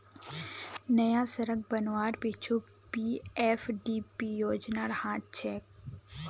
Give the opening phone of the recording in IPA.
n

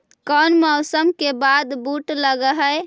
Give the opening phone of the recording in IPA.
k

